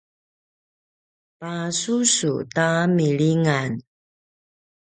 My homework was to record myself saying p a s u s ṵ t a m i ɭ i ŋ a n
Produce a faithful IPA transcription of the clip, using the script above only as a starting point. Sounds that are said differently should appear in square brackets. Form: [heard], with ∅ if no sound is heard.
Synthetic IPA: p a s u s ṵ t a m i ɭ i ŋ a n

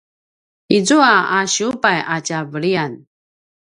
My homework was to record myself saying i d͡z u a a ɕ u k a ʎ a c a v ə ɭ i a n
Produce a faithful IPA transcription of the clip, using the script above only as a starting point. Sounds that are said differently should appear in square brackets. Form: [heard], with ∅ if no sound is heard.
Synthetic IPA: i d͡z u a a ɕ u [p] a [j] a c a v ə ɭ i a n

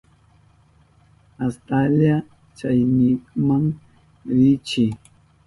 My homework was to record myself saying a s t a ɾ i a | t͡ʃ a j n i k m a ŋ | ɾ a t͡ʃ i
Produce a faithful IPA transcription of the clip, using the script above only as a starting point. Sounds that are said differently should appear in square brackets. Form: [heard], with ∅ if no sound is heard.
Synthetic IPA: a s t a [l] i a | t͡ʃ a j n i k m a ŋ | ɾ [i] t͡ʃ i

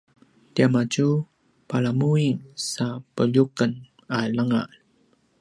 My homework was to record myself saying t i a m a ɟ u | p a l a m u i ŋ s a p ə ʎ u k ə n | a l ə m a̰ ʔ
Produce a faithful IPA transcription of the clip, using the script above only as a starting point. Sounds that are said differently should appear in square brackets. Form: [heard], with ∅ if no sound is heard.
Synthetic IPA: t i a m a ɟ u | p a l a m u i ŋ s a p ə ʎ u k ə n | a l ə [ŋ] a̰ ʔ

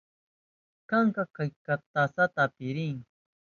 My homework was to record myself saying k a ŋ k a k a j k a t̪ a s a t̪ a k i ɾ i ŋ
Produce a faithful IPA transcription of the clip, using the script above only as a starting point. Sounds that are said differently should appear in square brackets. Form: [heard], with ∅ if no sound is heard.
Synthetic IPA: k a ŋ k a k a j k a t̪ a s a t̪ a [p] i ɾ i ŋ

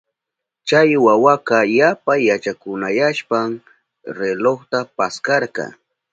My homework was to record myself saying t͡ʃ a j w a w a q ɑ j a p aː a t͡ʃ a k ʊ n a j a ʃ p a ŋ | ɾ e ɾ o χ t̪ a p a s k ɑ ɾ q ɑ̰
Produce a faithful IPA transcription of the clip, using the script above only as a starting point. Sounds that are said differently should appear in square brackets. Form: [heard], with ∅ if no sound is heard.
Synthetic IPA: t͡ʃ a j w a w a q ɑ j a p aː a t͡ʃ a k ʊ n a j a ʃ p a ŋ | ɾ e [l] o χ t̪ a p a s k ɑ ɾ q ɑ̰

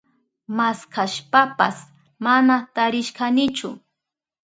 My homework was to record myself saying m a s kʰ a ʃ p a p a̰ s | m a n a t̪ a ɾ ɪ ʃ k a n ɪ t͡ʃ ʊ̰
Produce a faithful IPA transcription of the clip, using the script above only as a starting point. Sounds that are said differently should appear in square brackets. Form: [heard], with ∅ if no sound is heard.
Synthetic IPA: m a s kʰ a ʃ p a p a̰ s | m a n a t̪ a ɾ ɪ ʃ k a n ɪ t͡ʃ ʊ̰

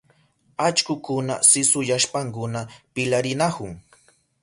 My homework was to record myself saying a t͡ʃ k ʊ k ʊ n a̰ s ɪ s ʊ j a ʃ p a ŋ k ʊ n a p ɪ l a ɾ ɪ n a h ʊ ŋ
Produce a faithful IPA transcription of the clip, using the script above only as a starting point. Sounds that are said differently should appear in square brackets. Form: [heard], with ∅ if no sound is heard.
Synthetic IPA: a t͡ʃ k ʊ k ʊ n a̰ s ɪ s ʊ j a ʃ p a ŋ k ʊ n a p ɪ l a ɾ ɪ n a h ʊ ŋ

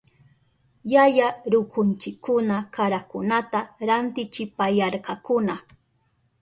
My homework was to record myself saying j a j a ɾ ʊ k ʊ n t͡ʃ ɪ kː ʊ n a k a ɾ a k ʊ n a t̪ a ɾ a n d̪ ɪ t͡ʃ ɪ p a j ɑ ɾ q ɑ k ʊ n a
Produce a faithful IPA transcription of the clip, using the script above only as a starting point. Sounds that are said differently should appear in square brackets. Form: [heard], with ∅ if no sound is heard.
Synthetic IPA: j a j a ɾ ʊ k ʊ n t͡ʃ ɪ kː ʊ n a k a ɾ a k ʊ n a t̪ a ɾ a n [t̪] ɪ t͡ʃ ɪ p a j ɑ ɾ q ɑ k ʊ n a

